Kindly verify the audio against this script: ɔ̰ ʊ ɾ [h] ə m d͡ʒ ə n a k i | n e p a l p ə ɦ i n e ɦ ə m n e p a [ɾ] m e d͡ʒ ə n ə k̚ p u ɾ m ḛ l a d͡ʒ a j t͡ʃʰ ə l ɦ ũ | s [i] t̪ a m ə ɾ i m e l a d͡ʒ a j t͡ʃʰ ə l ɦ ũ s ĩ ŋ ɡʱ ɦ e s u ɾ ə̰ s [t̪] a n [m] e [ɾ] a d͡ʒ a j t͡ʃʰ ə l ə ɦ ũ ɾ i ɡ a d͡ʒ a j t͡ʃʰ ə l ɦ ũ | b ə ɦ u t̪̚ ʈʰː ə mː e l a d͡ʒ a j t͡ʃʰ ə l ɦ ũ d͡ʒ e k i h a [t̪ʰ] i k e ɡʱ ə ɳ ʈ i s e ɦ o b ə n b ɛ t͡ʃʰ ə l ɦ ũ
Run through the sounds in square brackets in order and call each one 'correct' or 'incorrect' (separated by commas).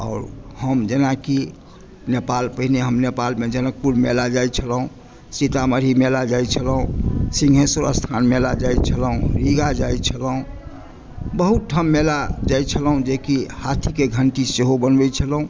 correct, incorrect, correct, incorrect, correct, incorrect, correct